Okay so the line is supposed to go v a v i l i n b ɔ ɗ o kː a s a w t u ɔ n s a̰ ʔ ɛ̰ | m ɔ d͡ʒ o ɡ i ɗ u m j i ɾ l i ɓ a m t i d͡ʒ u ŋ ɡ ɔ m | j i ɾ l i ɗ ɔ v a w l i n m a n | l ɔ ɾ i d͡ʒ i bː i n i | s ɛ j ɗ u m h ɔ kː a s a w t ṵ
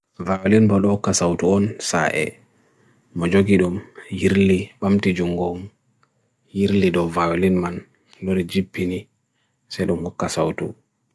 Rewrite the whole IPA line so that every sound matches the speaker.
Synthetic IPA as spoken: v a w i l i n b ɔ ɗ ɔ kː a s a w t u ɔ n s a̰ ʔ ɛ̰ | m ɔ d͡ʒ o ɡ i ɗ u m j i ɾ l i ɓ a m t i d͡ʒ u ŋ ɡ ɔ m | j i ɾ l i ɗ ɔ v a w l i n m a n | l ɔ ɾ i d͡ʒ i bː i n i | s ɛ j ɗ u m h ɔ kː a s a w t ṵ